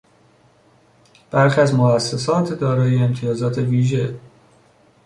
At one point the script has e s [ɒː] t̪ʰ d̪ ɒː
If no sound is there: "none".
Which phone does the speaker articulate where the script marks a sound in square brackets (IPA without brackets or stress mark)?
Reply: ɒː